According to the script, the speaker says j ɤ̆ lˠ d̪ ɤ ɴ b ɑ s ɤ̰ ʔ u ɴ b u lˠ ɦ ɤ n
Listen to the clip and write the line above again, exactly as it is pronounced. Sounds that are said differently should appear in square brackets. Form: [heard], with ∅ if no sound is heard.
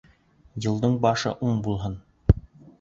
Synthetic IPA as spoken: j ɤ̆ lˠ d̪ ɤ ɴ b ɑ [ʃ] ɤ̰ ʔ u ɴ b u lˠ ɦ ɤ n

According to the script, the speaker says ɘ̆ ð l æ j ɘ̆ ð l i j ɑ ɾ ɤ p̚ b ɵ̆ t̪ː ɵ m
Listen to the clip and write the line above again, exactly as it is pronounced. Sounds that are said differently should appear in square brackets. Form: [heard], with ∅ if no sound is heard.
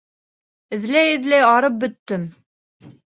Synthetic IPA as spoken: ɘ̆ ð l æ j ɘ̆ ð l [æ] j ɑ ɾ ɤ p̚ b ɵ̆ t̪ː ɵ m

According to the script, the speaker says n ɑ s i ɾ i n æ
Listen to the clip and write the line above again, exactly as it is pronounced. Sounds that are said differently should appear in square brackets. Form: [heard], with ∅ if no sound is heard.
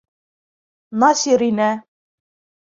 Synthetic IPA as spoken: n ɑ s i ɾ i n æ

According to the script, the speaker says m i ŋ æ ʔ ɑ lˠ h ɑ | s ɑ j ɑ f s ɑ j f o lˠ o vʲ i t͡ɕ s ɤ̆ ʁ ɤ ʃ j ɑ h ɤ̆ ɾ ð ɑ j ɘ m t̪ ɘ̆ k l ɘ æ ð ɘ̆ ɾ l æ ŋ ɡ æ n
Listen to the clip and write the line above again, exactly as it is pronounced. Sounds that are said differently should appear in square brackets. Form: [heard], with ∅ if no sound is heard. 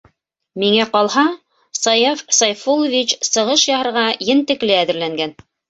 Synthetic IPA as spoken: m i ŋ æ [q] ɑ lˠ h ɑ | s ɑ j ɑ f s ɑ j f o lˠ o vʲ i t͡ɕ s ɤ̆ ʁ ɤ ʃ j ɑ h ɤ̆ ɾ [ʁ] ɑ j ɘ [n] t̪ ɘ̆ k l ɘ æ ð ɘ̆ ɾ l æ ŋ ɡ æ n

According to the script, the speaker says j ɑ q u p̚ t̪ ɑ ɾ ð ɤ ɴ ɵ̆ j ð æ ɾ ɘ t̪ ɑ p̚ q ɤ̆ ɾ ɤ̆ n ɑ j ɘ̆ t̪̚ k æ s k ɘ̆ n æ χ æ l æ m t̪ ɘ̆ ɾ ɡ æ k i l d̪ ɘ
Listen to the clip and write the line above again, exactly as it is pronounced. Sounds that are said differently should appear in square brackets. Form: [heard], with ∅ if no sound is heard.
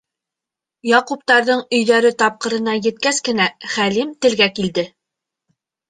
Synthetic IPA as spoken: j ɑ q u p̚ t̪ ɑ ɾ ð ɤ ɴ ɵ̆ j ð æ ɾ ɘ t̪ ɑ p̚ q ɤ̆ ɾ ɤ̆ n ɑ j ɘ̆ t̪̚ k æ s k ɘ̆ n æ χ æ l [i] m t̪ ɘ̆ [l] ɡ æ k i l d̪ ɘ

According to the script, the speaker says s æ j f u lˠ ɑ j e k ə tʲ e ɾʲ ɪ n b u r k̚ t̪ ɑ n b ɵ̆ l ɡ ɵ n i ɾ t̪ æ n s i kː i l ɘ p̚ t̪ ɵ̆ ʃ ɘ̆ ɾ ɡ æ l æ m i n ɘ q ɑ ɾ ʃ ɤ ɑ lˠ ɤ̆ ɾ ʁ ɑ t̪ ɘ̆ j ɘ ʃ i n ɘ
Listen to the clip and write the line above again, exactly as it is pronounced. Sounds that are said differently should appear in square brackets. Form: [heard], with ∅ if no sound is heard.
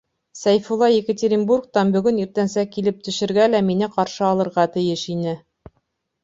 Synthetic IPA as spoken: s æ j f u lˠ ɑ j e k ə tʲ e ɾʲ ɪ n b u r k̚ t̪ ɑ n b ɵ̆ [∅] ɡ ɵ n i ɾ t̪ æ n s [æ] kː i l ɘ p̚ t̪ ɵ̆ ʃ ɘ̆ ɾ ɡ æ l æ m i n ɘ q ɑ ɾ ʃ ɤ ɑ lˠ ɤ̆ ɾ ʁ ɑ t̪ ɘ̆ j ɘ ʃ i n ɘ

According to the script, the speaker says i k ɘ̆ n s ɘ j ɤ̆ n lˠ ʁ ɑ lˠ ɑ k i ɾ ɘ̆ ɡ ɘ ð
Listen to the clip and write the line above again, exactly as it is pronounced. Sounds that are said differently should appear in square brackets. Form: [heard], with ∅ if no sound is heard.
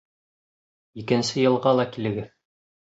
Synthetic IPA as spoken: i k ɘ̆ n s ɘ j ɤ̆ [∅] lˠ ʁ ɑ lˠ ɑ k i [l] ɘ̆ ɡ ɘ ð

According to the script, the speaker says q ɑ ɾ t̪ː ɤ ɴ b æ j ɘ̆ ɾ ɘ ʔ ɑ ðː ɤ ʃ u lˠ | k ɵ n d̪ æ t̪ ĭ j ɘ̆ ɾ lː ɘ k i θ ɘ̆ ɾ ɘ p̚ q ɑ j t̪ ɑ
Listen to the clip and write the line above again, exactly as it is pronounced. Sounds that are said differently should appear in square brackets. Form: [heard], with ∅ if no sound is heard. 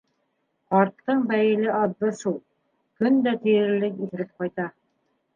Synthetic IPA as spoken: q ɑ ɾ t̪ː ɤ ɴ b æ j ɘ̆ [l] ɘ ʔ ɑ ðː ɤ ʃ u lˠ | k ɵ n d̪ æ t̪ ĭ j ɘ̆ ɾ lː ɘ k i θ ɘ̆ ɾ ɘ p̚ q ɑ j t̪ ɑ

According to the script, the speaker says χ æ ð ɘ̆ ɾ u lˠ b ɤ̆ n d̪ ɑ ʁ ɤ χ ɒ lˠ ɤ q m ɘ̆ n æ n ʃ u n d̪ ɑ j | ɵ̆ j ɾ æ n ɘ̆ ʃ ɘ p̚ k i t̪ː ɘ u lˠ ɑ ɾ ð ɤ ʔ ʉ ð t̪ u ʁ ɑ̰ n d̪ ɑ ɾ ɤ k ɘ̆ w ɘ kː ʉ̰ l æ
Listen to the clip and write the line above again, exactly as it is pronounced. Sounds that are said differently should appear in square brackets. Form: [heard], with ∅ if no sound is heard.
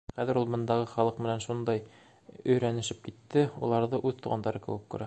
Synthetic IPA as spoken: χ æ ð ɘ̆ ɾ u lˠ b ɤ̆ n d̪ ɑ ʁ ɤ χ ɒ lˠ ɤ q m ɘ̆ n æ n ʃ u n d̪ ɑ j | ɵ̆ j ɾ æ n ɘ̆ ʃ ɘ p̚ k i t̪ː ɘ u lˠ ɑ ɾ ð ɤ ʔ ʉ ð t̪ u ʁ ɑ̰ n d̪ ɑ ɾ ɤ k ɘ̆ w ɘ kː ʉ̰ [ɾ] æ

